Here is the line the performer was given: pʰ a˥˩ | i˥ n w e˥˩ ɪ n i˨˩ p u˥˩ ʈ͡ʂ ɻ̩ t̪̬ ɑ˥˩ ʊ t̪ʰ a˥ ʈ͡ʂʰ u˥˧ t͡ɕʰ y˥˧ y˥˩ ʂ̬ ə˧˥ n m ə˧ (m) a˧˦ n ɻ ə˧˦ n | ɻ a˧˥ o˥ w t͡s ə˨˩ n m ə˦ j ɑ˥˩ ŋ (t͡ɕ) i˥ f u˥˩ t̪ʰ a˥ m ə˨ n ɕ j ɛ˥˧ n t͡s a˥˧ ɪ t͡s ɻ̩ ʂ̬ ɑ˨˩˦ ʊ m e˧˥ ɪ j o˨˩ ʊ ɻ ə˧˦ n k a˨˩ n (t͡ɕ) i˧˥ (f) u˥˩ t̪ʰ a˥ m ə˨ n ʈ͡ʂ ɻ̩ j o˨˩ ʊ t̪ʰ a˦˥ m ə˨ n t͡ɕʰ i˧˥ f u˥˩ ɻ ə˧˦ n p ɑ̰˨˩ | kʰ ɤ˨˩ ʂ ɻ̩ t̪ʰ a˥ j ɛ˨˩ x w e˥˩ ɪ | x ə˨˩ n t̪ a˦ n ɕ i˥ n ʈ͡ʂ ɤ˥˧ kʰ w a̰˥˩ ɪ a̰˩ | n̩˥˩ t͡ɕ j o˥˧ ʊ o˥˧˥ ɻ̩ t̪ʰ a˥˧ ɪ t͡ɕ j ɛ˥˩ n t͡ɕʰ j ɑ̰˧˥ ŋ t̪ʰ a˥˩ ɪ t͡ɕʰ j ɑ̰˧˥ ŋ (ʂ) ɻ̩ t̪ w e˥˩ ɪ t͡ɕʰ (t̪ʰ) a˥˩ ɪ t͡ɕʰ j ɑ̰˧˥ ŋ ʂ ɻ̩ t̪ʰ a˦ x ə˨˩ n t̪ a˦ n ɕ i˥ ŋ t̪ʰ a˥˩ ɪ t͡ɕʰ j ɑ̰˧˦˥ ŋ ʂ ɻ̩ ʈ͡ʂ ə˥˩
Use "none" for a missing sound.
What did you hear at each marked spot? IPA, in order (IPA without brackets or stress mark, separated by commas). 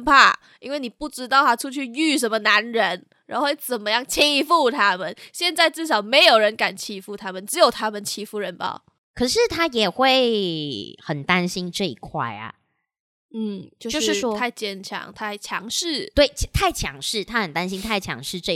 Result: n, t͡ɕʰ, t͡ɕʰ, f, ʂ, t̪ʰ